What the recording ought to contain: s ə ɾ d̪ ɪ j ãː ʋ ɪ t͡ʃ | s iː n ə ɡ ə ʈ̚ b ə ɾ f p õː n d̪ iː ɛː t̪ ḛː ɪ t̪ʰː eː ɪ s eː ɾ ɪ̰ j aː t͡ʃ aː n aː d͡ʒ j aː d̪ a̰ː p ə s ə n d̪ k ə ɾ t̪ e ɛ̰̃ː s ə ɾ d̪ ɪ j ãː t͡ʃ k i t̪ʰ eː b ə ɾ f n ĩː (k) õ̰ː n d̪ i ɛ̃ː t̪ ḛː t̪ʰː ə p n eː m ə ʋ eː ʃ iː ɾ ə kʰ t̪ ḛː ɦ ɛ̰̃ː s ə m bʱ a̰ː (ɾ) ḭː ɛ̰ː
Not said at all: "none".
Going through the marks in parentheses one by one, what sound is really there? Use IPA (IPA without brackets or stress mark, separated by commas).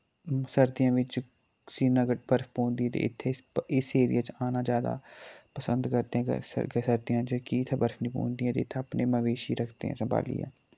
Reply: p, l